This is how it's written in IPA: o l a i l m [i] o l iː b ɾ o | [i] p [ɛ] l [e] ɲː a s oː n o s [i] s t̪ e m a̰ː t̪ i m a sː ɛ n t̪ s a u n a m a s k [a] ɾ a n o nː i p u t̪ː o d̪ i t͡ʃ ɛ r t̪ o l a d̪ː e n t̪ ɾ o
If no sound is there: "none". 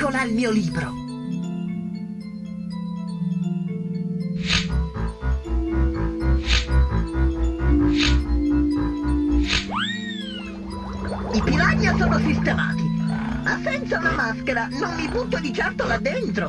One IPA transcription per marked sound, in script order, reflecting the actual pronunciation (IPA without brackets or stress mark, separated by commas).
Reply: iː, i, i, a, i, e